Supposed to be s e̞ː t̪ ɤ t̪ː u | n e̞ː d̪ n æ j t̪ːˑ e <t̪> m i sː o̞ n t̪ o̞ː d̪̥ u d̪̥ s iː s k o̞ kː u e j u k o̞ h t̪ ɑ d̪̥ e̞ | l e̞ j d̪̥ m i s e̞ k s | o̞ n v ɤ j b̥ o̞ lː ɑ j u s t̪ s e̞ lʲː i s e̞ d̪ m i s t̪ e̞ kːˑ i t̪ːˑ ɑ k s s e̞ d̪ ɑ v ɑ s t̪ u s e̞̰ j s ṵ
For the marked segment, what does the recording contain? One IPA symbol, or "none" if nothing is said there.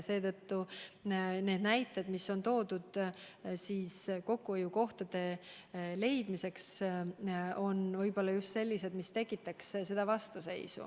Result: d̪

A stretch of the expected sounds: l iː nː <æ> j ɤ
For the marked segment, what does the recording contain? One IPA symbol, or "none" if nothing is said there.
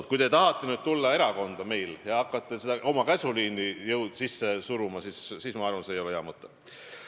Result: i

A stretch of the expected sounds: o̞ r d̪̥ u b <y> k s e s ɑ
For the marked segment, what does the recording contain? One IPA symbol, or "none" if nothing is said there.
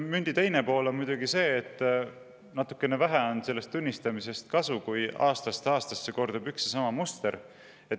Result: y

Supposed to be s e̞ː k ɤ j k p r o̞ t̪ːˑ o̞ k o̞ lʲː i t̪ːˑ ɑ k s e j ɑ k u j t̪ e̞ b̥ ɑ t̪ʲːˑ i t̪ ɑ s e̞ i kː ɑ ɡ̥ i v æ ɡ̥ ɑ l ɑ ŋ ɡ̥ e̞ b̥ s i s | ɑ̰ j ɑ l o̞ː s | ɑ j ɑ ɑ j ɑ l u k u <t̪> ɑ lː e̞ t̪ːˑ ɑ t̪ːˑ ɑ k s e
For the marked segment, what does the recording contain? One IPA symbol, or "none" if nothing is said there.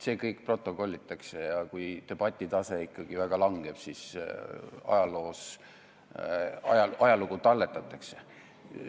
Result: t̪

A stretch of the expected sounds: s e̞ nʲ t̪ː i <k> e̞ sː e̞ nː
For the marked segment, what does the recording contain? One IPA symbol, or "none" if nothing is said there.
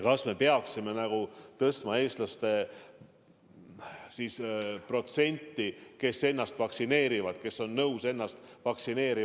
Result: k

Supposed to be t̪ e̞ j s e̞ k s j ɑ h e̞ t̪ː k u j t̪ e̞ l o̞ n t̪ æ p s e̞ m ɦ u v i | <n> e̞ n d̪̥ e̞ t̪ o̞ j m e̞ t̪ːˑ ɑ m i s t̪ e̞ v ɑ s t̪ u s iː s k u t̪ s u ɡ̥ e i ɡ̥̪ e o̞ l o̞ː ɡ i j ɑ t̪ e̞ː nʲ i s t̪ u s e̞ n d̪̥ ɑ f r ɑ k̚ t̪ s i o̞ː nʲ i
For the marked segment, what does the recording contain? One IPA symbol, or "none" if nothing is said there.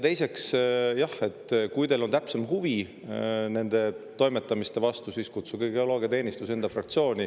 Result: n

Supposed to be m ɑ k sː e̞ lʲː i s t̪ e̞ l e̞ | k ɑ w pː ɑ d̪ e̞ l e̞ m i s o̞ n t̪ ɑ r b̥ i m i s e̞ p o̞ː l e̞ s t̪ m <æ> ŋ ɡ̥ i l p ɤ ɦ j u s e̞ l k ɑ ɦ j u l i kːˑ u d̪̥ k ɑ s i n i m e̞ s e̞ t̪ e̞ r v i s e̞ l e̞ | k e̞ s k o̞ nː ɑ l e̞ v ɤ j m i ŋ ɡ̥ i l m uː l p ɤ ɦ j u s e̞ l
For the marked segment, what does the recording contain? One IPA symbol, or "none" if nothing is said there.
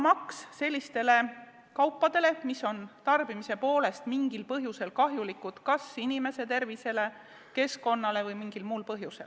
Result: i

